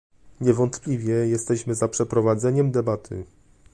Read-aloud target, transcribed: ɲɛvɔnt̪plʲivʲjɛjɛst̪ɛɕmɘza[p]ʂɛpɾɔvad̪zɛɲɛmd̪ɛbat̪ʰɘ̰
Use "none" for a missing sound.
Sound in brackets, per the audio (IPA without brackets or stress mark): p